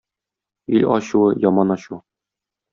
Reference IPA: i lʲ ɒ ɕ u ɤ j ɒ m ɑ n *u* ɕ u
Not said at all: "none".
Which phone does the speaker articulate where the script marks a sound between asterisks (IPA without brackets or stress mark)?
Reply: ɒ